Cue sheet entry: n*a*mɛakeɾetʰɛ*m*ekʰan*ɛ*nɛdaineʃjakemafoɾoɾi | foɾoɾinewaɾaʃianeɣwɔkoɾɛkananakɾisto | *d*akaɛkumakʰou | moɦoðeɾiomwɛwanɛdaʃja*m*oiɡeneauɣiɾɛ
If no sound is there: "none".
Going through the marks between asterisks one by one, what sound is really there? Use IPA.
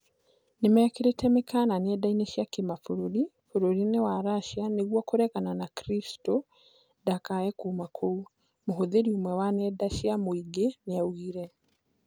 e, m, a, d, m

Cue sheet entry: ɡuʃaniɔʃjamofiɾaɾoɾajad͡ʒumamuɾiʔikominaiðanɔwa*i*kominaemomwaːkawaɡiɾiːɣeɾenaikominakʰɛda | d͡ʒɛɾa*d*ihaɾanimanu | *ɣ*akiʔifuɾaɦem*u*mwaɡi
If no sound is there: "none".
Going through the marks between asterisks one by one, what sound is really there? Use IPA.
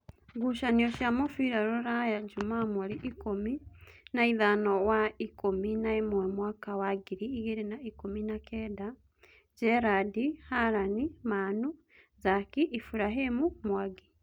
i, d, z, u

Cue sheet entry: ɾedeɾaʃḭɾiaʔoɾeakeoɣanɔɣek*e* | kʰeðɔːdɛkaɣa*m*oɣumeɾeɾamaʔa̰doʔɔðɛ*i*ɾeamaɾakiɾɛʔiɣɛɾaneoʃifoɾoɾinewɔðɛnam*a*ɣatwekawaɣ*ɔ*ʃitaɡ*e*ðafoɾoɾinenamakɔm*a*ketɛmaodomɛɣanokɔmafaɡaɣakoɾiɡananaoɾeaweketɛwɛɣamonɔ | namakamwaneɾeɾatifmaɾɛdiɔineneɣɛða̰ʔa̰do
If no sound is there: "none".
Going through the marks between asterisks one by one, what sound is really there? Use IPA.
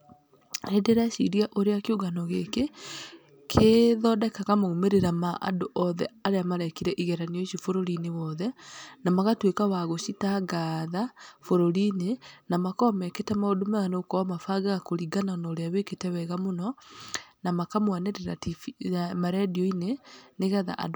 e, m, a, a, o, a, ɛ

